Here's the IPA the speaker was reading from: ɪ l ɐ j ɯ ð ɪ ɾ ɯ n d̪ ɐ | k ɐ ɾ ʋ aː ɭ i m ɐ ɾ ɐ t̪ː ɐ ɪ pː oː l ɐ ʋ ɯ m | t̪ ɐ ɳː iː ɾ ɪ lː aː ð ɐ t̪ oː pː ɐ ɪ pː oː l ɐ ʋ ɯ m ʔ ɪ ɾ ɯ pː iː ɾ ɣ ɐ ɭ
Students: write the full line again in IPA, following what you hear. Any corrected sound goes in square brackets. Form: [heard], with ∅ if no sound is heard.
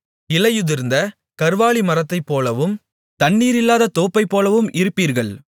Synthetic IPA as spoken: ɪ l ɐ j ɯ ð ɪ ɾ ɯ n d̪ ɐ | k ɐ ɾ ʋ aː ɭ i m ɐ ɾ ɐ t̪ː ɐ ɪ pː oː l ɐ ʋ ɯ m | t̪ ɐ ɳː iː ɾ ɪ lː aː ð ɐ t̪ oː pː ɐ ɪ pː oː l ɐ ʋ ɯ m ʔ ɪ ɾ ɯ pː iː ɾ ɣ ɐ ɭ

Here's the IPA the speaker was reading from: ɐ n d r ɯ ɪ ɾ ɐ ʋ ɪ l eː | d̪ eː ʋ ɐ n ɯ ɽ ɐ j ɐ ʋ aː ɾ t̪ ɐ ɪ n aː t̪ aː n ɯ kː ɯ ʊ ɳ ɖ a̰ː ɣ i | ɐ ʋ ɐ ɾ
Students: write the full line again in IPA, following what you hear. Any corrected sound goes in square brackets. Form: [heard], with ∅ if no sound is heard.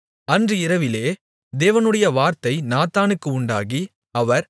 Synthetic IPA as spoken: ɐ n d r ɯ ɪ ɾ ɐ ʋ ɪ l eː | d̪ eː ʋ ɐ n ɯ ɽ ɐ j ɐ ʋ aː ɾ t̪ ɐ ɪ n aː t̪ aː n ɯ kː ɯ ʊ ɳ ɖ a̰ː ɣ i | ɐ ʋ ɐ ɾ

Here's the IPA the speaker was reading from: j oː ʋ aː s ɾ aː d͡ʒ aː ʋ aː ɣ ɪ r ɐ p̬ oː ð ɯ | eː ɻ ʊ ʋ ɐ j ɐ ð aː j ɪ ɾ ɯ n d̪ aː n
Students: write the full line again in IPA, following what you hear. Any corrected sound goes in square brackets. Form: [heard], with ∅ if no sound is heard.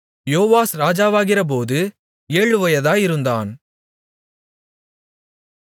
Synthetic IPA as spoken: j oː ʋ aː s ɾ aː d͡ʒ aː ʋ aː ɣ ɪ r ɐ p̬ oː ð ɯ | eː ɻ [ɯ] ʋ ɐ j ɐ ð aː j ɪ ɾ ɯ n d̪ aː n

